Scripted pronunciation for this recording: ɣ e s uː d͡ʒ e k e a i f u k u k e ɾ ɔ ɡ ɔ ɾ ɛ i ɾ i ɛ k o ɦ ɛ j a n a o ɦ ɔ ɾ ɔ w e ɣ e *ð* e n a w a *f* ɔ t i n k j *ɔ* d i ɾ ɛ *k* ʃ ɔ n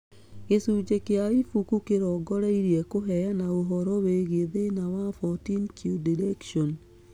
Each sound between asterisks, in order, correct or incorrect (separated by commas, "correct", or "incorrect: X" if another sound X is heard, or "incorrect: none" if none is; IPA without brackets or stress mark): correct, correct, incorrect: u, correct